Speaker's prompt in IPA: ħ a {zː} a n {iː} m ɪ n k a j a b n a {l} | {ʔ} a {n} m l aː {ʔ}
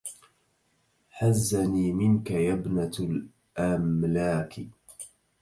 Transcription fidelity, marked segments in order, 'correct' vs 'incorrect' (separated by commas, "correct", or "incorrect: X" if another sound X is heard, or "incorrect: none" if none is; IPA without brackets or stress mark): correct, correct, correct, correct, incorrect: none, incorrect: k